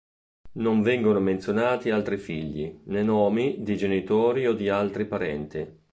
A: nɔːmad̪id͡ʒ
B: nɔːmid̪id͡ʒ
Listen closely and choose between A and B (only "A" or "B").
B